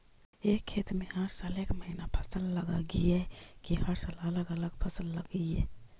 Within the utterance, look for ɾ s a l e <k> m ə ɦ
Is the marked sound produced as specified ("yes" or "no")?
yes